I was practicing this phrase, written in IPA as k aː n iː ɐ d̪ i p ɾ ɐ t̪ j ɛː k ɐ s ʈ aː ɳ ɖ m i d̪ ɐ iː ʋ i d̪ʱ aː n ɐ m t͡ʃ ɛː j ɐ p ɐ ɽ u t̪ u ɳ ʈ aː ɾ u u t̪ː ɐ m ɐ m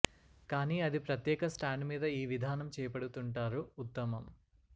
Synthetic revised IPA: k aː n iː ɐ d̪ i p ɾ ɐ t̪ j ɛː k ɐ s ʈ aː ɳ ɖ m iː d̪ ɐ iː ʋ i d̪ʱ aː n ɐ m t͡ʃ ɛː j ɐ p ɐ ɽ u t̪ u ɳ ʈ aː ɾ u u t̪ː ɐ m ɐ m

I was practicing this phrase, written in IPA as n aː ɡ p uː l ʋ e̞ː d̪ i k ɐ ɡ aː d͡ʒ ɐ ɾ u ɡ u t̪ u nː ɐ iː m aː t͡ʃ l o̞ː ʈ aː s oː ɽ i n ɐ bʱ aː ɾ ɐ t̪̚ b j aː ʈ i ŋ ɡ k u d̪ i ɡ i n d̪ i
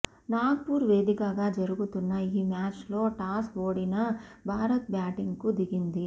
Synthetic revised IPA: n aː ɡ p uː ɾ ʋ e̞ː d̪ i k ɐ ɡ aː d͡ʒ ɐ ɾ u ɡ u t̪ u nː ɐ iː m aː t͡ʃ l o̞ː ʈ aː s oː ɽ i n ɐ bʱ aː ɾ ɐ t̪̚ b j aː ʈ i ŋ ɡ k u d̪ i ɡ i n d̪ i

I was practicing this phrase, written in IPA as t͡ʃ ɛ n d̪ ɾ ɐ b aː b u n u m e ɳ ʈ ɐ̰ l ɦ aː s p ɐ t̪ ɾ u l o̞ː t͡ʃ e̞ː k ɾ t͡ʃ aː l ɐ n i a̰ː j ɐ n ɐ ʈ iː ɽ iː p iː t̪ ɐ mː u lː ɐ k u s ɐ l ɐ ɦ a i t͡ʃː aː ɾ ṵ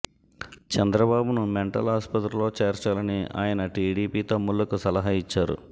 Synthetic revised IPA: t͡ʃ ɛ n d̪ ɾ ɐ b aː b u n u m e ɳ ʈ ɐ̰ l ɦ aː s p ɐ t̪ ɾ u l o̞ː t͡ʃ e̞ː ɾ t͡ʃ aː l ɐ n i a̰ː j ɐ n ɐ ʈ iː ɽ iː p iː t̪ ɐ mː u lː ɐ k u s ɐ l ɐ ɦ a i t͡ʃː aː ɾ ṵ

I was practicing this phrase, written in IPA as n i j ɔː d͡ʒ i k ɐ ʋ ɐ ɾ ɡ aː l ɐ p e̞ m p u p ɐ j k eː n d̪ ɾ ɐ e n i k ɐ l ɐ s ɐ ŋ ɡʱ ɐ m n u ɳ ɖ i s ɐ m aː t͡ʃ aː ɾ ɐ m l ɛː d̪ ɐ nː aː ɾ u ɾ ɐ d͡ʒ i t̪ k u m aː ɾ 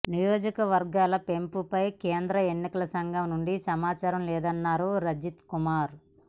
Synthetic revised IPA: n i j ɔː d͡ʒ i k ɐ ʋ ɐ ɾ ɡ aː l ɐ p e̞ m p u p ɐ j k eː n d̪ ɾ ɐ e nː i k ɐ l ɐ s ɐ ŋ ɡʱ ɐ m n u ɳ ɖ i s ɐ m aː t͡ʃ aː ɾ ɐ m l ɛː d̪ ɐ nː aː ɾ u ɾ ɐ d͡ʒ i t̪ k u m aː ɾ

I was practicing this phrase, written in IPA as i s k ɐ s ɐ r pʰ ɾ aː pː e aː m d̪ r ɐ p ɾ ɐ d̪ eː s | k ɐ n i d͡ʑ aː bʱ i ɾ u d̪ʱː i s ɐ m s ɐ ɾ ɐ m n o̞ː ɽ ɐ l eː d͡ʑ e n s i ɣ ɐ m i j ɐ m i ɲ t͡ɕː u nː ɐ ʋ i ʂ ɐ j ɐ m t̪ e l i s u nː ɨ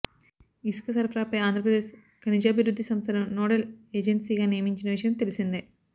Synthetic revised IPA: i s k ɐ s ɐ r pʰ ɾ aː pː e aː n d̪ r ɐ p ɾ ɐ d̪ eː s | k ɐ n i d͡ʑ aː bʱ i ɾ u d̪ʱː i s ɐ m s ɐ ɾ ɐ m n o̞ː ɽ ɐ l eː d͡ʑ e n s i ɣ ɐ n i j ɐ m i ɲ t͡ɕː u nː ɐ ʋ i ʂ ɐ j ɐ m t̪ e l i s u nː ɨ

